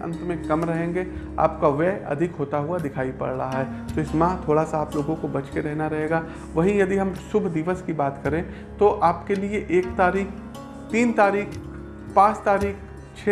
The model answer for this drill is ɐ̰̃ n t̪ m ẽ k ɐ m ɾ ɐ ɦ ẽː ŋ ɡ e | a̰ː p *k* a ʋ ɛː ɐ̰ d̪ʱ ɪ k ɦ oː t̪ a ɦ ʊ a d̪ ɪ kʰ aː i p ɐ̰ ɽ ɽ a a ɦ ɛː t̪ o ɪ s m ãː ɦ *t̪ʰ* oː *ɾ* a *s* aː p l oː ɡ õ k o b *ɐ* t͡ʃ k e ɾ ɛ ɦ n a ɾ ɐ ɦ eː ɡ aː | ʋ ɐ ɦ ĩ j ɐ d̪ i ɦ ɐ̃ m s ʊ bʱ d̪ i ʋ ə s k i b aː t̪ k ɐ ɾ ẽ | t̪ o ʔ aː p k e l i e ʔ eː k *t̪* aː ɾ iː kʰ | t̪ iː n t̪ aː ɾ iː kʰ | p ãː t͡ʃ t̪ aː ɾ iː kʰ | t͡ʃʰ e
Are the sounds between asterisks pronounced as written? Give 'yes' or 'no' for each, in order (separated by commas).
yes, yes, no, yes, yes, yes